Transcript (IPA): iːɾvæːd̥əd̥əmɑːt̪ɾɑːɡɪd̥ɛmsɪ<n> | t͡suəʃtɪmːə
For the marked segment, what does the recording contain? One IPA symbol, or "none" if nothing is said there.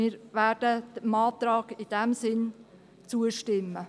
n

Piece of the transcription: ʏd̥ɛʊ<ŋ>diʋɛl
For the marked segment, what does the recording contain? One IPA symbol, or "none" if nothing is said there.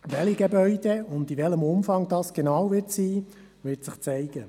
n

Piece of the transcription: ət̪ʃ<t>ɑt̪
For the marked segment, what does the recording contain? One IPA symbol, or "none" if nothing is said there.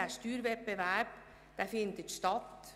t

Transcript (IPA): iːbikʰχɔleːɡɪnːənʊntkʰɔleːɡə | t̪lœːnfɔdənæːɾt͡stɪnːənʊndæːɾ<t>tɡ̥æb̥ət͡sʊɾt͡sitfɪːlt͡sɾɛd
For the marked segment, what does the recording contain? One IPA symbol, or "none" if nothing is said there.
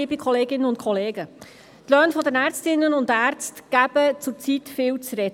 t͡s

